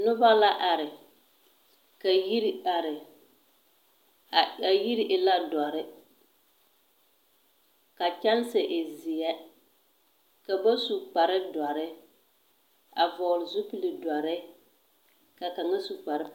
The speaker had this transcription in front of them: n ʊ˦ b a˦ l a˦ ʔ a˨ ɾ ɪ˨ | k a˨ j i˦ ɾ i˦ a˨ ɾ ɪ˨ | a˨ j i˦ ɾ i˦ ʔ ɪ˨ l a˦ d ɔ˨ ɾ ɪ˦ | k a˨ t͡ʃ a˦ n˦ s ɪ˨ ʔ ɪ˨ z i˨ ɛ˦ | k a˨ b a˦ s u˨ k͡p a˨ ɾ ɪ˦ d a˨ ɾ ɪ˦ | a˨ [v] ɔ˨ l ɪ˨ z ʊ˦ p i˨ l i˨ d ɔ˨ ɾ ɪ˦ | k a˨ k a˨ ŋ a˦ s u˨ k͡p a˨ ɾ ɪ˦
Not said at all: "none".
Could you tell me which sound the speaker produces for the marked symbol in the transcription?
v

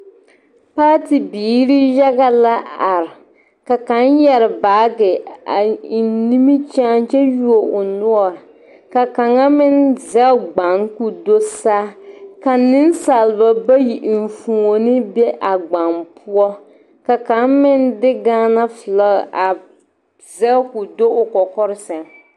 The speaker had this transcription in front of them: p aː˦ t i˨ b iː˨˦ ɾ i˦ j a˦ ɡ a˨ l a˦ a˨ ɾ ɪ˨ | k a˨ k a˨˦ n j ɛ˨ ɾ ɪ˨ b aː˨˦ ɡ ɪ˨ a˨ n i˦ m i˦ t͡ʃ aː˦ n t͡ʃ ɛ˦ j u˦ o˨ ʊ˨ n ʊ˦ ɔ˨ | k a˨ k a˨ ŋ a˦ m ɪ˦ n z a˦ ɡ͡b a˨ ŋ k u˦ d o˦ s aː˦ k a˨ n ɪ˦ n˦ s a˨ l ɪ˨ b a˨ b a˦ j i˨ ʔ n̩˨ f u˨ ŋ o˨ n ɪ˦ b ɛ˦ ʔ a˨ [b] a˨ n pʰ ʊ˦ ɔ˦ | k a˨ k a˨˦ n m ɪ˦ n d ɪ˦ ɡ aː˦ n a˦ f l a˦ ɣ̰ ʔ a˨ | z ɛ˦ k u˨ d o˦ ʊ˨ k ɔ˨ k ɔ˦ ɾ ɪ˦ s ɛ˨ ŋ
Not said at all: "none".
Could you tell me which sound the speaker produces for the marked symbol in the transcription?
ɡ͡b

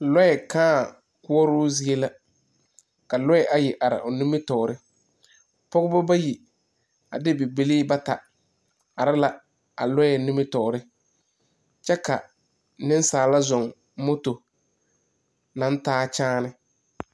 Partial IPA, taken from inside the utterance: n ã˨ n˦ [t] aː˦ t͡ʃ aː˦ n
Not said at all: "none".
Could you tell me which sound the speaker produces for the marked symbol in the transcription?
t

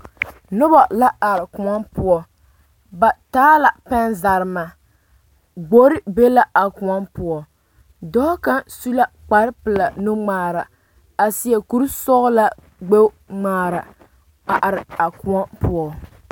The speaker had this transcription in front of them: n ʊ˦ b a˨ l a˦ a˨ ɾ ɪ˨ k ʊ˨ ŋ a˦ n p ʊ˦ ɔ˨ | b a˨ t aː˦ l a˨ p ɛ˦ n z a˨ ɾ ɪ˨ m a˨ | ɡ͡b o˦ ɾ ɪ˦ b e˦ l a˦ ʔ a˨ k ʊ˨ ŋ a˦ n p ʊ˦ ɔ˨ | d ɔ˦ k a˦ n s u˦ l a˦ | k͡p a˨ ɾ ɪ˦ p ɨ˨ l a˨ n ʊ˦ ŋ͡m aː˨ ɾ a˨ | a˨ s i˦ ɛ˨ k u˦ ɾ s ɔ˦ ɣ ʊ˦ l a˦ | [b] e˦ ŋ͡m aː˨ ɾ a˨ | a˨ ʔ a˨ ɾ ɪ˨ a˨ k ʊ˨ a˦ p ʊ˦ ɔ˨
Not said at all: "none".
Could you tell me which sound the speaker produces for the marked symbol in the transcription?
ɡ͡b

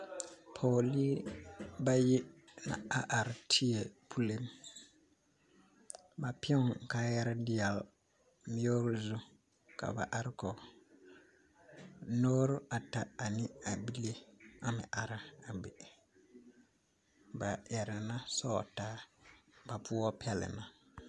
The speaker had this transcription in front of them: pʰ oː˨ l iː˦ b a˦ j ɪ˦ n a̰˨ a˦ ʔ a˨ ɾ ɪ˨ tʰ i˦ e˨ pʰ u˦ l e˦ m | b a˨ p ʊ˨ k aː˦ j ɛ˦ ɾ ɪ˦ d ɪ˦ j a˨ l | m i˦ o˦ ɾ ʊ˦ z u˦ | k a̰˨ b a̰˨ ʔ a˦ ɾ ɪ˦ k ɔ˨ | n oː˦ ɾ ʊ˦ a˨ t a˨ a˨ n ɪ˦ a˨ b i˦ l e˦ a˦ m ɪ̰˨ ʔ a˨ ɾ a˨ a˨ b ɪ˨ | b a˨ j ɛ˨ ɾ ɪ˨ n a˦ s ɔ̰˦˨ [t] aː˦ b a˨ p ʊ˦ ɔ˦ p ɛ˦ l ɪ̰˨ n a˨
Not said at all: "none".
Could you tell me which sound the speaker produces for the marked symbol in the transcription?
t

